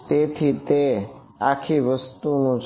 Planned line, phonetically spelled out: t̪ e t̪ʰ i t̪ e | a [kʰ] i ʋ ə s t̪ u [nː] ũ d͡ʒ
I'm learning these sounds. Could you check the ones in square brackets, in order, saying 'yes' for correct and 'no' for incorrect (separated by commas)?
yes, no